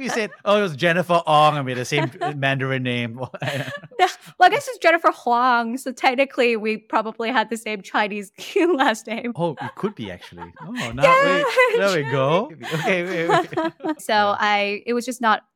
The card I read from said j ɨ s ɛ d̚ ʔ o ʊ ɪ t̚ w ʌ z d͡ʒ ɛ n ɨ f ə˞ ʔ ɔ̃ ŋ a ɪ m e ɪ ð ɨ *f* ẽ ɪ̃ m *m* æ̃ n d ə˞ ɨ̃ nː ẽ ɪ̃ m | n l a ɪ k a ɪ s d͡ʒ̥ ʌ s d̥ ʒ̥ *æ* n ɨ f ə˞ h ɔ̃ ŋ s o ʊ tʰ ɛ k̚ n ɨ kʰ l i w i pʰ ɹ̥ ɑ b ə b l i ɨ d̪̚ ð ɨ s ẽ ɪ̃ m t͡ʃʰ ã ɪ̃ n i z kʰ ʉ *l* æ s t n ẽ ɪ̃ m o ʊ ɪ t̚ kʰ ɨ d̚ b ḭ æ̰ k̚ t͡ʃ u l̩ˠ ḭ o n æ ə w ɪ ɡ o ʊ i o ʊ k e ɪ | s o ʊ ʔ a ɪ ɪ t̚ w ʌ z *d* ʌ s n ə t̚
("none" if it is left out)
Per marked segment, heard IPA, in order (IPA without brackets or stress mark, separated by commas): s, m, ɛ, l, d͡ʒ